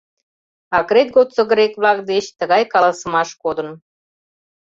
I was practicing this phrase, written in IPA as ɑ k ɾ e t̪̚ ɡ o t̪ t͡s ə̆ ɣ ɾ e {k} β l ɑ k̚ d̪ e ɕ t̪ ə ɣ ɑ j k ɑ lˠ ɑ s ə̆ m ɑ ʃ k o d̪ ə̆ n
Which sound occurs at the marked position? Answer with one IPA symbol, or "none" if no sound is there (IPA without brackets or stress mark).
k